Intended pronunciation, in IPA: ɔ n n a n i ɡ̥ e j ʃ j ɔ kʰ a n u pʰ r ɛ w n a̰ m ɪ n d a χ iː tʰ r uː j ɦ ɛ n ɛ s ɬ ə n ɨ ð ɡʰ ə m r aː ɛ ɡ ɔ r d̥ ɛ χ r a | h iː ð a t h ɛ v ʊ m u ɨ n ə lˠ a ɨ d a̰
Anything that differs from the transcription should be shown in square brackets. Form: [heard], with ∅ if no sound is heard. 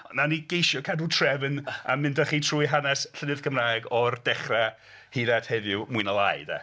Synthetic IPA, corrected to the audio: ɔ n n a n i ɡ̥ e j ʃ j ɔ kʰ a [d] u [tʰ] r ɛ [v] n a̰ m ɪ n d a χ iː tʰ r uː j ɦ [a] n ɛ s ɬ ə n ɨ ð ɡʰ ə m r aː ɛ ɡ ɔ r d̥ ɛ χ r a | h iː ð a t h ɛ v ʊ m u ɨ n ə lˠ a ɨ d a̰